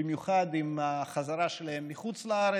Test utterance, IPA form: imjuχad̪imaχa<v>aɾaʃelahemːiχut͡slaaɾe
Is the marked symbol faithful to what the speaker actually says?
no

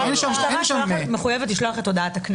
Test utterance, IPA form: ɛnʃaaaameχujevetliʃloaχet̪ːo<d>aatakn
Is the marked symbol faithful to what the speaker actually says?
yes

